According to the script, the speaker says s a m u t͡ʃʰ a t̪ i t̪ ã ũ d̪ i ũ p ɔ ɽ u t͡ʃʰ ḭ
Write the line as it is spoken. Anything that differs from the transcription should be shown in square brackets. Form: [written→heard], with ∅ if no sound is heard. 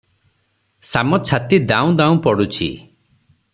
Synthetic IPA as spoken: s a m [u→ɔ] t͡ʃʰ a t̪ i [t̪→d̪] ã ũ d̪ [i→a] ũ p ɔ ɽ u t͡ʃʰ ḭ